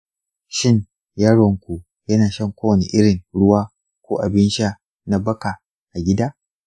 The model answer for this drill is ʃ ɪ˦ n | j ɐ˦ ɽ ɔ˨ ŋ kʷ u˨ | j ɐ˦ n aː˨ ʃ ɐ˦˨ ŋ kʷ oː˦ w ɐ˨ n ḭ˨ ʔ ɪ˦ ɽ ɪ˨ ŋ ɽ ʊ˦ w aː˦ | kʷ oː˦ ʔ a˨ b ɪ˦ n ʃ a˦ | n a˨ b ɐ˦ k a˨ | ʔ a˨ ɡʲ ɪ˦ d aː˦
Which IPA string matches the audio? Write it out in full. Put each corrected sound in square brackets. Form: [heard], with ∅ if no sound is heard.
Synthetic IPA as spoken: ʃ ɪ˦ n | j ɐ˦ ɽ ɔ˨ ŋ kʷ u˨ | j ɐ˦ n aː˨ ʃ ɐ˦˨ ŋ kʷ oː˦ w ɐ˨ n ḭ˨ ʔ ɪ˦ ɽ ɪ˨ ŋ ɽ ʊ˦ w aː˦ | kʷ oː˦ ʔ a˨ b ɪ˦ n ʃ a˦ | n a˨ b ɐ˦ k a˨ | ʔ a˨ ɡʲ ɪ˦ d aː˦